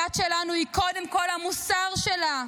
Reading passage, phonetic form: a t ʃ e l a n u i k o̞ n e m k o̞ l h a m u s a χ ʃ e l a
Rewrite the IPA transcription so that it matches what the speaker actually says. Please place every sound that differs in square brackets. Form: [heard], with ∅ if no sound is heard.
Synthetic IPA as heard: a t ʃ e l a n u i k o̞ [d] e m k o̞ l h a m u s a [ʁ] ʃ e l a